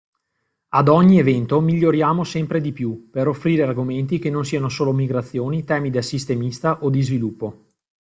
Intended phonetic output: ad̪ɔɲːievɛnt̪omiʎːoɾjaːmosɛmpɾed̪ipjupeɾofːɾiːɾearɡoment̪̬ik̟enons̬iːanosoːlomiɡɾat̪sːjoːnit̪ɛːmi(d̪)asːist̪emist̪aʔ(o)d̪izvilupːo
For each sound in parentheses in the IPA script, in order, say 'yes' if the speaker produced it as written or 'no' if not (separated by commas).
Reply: yes, yes